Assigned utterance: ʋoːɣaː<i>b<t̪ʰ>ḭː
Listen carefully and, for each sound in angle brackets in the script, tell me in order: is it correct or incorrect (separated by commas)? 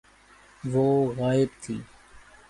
incorrect, correct